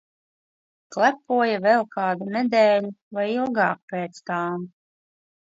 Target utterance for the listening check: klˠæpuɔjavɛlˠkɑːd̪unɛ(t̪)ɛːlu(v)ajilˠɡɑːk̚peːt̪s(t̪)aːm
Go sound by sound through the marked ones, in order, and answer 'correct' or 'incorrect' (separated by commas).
incorrect, correct, correct